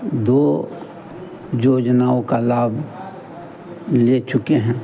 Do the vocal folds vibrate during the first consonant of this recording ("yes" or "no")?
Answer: yes